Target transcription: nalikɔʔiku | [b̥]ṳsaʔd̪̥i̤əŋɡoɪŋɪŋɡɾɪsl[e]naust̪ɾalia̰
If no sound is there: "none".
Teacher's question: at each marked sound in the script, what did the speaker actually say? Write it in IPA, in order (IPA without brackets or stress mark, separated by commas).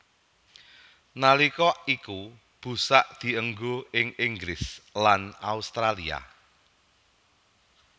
b̥, a